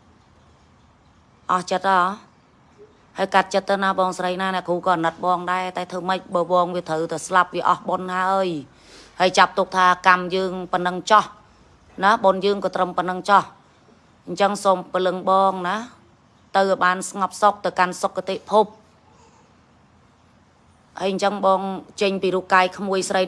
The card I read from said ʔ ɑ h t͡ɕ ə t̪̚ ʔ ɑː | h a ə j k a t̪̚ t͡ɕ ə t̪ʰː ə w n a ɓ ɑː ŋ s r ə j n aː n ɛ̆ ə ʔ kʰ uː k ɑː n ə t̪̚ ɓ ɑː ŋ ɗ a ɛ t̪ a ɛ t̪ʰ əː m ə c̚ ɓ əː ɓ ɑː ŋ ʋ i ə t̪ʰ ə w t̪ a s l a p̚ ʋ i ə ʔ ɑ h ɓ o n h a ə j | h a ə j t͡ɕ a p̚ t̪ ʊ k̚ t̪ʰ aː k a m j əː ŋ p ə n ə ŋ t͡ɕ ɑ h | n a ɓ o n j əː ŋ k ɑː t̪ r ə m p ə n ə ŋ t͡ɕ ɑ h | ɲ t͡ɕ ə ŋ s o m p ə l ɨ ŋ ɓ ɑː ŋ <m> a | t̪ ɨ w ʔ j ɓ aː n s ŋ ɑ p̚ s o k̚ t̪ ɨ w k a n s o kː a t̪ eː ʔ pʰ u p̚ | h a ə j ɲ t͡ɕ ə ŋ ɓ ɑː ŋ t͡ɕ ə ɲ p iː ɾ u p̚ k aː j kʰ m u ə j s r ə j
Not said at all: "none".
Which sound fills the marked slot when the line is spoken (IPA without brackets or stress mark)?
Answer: n